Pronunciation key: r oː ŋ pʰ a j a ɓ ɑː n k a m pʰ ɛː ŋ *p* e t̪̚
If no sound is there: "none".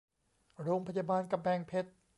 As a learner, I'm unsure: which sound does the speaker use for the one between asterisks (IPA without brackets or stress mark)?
pʰ